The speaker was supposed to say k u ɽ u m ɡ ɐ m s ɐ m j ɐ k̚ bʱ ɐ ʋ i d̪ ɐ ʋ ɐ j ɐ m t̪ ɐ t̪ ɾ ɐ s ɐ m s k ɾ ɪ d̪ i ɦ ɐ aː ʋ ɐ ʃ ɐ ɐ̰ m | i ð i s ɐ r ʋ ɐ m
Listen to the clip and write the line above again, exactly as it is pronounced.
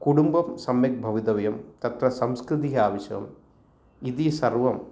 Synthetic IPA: k u ɽ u m b ɐ m s ɐ m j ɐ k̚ bʱ ɐ ʋ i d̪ ɐ ʋ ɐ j ɐ m t̪ ɐ t̪ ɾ ɐ s ɐ m s k ɾ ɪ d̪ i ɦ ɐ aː ʋ ɐ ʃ ɐ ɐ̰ m | i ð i s ɐ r ʋ ɐ m